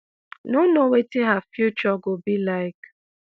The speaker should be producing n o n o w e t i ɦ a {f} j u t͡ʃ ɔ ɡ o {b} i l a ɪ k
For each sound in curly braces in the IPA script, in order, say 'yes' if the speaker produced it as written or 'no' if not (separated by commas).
yes, yes